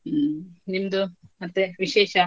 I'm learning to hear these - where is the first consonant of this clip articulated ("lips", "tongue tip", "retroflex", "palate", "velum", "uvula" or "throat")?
tongue tip